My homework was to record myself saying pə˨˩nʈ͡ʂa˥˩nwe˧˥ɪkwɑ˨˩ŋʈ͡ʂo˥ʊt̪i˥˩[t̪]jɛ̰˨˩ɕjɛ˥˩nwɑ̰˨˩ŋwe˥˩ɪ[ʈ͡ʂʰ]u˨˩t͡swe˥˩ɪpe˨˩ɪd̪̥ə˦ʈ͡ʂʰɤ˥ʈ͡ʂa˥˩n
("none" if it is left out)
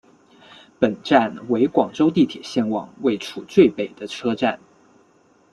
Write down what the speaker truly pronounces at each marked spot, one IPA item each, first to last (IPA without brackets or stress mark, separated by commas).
t̪ʰ, ʈ͡ʂʰ